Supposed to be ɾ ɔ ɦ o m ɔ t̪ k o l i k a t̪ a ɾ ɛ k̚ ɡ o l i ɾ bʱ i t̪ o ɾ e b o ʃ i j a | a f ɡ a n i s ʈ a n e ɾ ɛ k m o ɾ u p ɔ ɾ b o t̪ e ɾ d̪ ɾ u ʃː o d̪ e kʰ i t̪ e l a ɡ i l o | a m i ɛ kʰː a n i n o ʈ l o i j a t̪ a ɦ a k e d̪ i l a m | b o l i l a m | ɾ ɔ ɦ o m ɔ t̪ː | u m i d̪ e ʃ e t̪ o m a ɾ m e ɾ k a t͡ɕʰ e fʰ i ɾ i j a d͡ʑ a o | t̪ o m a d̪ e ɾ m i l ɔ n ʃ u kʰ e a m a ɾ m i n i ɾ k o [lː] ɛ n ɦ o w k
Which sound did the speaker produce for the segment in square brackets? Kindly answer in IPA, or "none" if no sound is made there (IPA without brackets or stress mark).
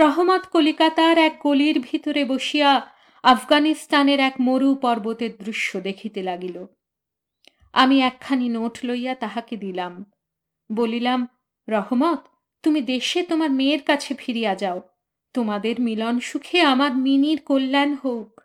lː